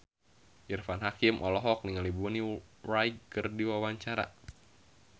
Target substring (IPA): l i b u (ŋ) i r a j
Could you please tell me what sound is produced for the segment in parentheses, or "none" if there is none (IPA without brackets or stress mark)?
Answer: n